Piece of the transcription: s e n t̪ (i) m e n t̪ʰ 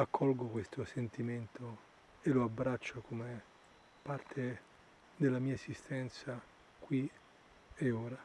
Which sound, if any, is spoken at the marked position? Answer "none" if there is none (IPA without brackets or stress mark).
i